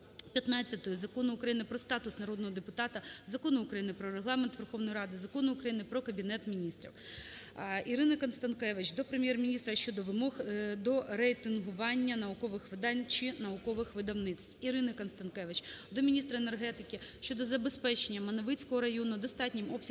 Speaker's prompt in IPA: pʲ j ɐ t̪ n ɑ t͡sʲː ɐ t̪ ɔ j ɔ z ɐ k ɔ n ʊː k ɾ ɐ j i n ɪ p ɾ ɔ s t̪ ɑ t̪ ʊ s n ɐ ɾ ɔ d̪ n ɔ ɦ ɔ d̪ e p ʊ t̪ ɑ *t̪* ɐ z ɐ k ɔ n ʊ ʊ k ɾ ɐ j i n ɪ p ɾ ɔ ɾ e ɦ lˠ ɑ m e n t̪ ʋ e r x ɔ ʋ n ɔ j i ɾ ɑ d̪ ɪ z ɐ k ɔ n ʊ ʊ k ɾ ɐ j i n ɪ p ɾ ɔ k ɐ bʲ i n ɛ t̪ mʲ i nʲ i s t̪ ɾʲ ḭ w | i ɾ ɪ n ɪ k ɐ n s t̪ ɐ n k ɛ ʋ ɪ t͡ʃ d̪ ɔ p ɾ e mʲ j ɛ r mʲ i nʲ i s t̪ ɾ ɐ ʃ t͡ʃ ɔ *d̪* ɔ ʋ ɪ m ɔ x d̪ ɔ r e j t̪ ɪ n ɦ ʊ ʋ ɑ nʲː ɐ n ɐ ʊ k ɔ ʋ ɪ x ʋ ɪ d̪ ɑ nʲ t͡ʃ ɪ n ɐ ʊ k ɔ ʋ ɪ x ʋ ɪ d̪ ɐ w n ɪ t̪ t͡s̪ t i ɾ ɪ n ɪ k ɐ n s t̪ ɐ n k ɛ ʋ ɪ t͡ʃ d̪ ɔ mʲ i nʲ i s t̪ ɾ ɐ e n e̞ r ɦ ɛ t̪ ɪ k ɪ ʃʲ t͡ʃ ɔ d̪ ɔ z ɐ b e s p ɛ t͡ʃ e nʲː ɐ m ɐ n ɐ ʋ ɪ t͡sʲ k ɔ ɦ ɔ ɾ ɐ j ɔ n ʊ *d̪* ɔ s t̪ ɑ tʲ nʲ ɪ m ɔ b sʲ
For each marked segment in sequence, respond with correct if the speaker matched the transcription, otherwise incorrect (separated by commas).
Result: correct, correct, correct